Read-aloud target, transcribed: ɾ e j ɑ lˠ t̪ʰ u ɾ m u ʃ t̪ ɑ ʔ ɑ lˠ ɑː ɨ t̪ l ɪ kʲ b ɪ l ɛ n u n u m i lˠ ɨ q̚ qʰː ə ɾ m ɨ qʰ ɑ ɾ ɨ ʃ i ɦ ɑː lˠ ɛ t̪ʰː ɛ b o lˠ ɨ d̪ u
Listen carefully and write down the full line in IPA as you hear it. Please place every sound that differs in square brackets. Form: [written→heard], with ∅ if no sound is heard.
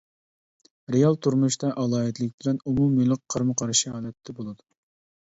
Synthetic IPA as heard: ɾ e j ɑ lˠ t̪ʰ u ɾ m u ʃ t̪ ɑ ʔ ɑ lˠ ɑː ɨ t̪ l ɪ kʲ b ɪ l ɛ n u [n→m] u m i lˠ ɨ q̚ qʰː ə ɾ m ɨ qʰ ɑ ɾ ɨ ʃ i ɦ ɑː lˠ ɛ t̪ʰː ɛ b o lˠ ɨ d̪ u

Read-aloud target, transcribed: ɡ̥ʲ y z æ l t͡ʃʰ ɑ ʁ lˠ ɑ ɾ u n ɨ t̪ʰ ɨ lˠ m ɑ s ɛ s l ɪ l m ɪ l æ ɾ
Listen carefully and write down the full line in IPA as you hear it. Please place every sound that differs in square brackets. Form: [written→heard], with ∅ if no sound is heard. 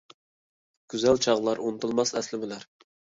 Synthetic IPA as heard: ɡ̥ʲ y z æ l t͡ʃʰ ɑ ʁ lˠ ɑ ɾ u n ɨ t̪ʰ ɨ lˠ m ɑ s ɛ s l ɪ [l→∅] m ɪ l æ ɾ

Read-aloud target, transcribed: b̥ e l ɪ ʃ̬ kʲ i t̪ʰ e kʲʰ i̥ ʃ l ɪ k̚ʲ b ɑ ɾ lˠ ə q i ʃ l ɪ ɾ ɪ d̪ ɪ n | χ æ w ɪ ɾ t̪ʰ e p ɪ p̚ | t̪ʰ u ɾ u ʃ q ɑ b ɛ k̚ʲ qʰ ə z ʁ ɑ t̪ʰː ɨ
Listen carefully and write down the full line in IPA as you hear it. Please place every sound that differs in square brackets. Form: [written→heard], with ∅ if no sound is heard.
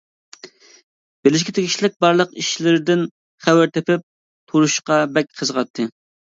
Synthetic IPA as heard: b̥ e l ɪ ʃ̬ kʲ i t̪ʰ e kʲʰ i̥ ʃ l ɪ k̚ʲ b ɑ ɾ lˠ ə q i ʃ l ɪ ɾ ɪ d̪ ɪ n | χ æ w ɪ ɾ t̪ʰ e p ɪ p̚ | t̪ʰ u ɾ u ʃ q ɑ b ɛ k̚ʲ qʰ ə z ʁ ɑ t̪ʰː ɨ

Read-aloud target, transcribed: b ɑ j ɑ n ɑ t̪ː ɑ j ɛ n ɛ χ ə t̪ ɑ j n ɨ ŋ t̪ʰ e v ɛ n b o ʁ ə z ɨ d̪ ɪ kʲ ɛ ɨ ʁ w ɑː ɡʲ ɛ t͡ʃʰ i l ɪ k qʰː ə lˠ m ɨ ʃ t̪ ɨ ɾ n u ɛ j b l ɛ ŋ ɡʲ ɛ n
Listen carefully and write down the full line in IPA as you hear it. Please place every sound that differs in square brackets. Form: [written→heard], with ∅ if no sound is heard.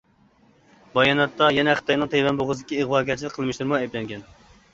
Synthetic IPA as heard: b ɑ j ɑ n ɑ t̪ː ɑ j ɛ n ɛ χ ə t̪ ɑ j n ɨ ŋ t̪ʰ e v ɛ n b o ʁ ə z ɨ d̪ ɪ kʲ [ɛ→i] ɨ ʁ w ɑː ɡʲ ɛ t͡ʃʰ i l ɪ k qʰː ə lˠ m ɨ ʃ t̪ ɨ ɾ [n→m] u ɛ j b l ɛ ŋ ɡʲ ɛ n

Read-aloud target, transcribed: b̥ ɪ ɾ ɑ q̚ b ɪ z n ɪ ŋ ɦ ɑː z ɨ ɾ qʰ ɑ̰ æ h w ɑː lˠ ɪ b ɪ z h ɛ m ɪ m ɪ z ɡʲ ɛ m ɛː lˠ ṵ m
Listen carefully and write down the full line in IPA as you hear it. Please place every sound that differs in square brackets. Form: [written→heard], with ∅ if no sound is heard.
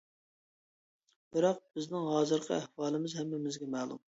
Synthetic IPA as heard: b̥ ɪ ɾ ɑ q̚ b ɪ z n ɪ ŋ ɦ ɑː z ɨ ɾ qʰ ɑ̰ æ h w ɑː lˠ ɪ [b→m] ɪ z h ɛ m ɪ m ɪ z ɡʲ ɛ m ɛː lˠ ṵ m

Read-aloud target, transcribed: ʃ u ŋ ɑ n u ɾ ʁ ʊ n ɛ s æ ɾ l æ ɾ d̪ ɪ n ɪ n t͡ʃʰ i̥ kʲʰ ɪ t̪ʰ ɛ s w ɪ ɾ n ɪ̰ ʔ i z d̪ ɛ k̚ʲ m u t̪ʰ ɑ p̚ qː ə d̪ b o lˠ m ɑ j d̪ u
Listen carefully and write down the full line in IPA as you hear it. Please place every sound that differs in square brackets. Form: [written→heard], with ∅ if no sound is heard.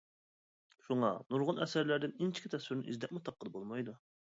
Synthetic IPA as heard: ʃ u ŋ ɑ n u ɾ ʁ ʊ n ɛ s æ ɾ l æ ɾ d̪ ɪ n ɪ n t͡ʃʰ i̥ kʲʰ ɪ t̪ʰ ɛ s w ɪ ɾ n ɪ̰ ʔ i z d̪ ɛ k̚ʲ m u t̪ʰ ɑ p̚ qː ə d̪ b o lˠ m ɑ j d̪ u

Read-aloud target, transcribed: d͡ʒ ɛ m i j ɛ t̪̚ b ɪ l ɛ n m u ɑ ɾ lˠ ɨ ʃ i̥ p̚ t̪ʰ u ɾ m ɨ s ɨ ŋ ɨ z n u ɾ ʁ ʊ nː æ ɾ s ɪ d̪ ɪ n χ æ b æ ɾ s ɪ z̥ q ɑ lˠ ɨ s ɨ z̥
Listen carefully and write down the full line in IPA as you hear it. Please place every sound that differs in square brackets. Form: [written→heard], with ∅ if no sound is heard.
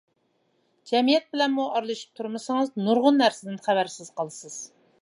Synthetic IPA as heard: d͡ʒ ɛ m i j ɛ t̪̚ b ɪ l ɛ n m u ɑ ɾ lˠ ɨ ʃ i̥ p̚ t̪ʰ u ɾ m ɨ s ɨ ŋ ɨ z n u ɾ ʁ ʊ nː æ ɾ s ɪ d̪ ɪ n χ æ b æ ɾ s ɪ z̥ q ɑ lˠ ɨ s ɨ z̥

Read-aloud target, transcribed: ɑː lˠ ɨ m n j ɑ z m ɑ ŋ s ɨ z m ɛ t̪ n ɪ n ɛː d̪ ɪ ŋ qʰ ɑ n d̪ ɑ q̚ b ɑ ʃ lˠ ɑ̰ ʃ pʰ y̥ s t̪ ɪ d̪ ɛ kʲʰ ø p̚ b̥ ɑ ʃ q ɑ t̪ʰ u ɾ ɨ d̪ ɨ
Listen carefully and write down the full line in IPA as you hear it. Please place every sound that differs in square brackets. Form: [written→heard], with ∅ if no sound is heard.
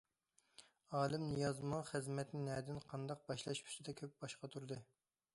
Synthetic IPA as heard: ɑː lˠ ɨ m n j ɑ z m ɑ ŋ [s→χ] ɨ z m ɛ t̪ n ɪ n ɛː d̪ ɪ [ŋ→n] qʰ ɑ n d̪ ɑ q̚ b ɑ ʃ lˠ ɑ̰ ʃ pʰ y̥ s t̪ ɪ d̪ ɛ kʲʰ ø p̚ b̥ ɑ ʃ q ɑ t̪ʰ u ɾ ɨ d̪ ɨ

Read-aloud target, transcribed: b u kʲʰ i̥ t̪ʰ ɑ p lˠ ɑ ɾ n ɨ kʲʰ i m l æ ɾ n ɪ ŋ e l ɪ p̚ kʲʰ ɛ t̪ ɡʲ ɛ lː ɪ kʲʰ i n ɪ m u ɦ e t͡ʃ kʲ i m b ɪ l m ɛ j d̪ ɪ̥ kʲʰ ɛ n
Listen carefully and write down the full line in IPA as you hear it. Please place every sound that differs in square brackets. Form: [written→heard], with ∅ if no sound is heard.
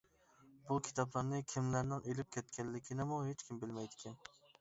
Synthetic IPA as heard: b u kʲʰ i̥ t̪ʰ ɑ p lˠ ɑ ɾ n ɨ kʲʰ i m l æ ɾ n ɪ ŋ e l ɪ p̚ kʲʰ ɛ t̪ [ɡʲ→kʲ] ɛ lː ɪ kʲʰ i n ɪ m u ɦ e t͡ʃ kʲ i m b ɪ l m ɛ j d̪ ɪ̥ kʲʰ ɛ n

